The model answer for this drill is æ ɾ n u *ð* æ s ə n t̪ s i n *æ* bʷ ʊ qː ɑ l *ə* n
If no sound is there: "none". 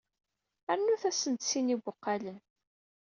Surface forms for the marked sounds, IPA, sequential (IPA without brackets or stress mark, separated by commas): θ, i, ə